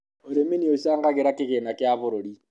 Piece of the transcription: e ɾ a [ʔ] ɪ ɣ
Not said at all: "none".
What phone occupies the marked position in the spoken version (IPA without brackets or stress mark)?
k